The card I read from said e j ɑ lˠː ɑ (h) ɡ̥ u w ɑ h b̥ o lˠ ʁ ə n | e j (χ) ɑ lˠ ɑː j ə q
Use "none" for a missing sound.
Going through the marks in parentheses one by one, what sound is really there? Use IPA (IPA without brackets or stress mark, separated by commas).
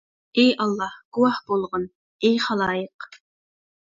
h, χ